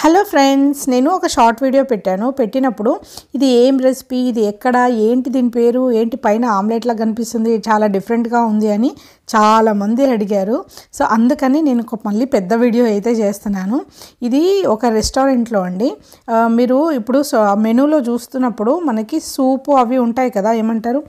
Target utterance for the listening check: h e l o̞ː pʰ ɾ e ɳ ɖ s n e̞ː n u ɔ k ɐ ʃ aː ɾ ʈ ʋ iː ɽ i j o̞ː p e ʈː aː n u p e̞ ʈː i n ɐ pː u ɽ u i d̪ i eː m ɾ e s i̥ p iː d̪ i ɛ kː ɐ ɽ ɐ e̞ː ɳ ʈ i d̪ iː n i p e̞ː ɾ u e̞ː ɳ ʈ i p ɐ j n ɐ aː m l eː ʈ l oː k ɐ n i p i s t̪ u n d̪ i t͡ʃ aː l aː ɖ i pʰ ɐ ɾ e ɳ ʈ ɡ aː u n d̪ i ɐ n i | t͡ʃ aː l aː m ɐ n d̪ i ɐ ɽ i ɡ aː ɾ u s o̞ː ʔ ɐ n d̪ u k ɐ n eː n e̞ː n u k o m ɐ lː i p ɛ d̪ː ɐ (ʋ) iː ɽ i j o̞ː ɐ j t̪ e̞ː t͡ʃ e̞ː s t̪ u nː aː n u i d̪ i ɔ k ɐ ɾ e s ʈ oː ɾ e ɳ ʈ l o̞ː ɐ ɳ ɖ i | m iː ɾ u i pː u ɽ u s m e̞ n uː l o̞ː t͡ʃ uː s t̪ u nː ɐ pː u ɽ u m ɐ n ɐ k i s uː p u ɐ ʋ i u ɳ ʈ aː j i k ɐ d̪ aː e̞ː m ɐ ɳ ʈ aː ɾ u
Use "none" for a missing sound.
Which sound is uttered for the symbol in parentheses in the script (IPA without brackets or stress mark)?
ʋ